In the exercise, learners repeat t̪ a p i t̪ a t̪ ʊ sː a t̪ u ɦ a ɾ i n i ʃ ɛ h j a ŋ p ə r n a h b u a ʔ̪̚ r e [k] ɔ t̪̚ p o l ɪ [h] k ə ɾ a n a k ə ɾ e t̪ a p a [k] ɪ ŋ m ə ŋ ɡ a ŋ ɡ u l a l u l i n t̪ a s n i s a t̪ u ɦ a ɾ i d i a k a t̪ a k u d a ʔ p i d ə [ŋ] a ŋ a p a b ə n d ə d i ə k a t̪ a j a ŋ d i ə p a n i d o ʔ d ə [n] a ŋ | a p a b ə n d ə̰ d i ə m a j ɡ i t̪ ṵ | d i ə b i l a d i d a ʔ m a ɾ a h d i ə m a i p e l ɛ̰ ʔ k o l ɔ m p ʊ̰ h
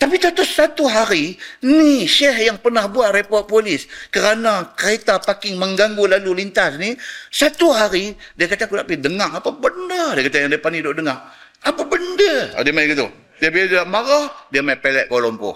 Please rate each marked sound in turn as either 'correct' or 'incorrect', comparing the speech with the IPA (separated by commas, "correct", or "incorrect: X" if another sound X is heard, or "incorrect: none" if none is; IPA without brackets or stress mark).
incorrect: p, incorrect: s, correct, correct, incorrect: ŋ